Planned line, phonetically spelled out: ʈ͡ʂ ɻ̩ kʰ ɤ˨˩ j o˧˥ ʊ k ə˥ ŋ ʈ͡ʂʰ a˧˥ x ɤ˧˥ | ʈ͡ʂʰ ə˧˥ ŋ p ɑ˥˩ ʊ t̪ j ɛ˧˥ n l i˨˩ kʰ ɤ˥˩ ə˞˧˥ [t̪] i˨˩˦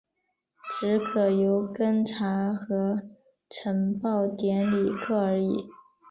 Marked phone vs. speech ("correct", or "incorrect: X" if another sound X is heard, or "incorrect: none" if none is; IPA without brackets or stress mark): incorrect: none